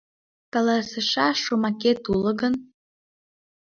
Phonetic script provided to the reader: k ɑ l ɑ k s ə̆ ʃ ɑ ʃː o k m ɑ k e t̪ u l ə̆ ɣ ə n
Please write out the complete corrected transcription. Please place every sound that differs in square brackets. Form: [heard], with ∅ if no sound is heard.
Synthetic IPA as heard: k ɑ l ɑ [∅] s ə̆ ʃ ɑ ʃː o [∅] m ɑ k e t̪ u l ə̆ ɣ ə n